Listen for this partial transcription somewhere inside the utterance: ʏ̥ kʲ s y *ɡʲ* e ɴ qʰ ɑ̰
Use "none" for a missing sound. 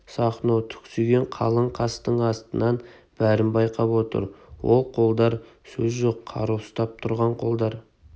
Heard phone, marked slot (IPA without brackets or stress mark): ɡʲ